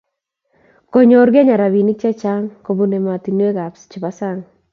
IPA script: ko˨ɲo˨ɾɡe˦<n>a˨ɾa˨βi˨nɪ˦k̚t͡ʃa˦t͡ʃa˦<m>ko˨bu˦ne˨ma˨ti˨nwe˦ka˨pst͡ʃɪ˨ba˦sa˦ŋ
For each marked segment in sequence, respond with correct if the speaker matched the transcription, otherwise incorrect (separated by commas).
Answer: incorrect, incorrect